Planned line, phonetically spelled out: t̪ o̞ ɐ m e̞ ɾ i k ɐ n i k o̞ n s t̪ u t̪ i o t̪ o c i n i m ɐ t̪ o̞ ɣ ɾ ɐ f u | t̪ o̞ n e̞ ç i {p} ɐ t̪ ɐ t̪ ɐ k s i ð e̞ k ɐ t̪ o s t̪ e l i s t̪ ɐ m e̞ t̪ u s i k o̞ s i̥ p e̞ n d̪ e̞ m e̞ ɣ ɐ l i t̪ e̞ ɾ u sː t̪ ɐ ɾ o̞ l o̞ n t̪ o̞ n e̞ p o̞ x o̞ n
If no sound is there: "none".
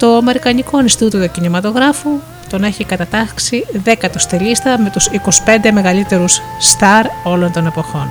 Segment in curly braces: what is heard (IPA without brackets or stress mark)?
k